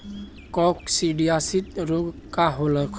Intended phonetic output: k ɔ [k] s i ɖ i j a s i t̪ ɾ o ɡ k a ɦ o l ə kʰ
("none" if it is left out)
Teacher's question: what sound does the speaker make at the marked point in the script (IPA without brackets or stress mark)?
k